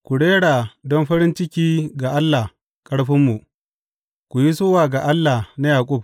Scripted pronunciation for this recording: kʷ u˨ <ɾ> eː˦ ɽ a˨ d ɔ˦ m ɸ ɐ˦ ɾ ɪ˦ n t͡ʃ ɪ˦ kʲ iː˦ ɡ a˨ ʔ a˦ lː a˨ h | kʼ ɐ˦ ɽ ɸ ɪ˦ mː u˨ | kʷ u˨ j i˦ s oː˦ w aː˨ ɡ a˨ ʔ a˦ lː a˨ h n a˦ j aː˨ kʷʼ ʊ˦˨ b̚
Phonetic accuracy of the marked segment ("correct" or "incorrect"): incorrect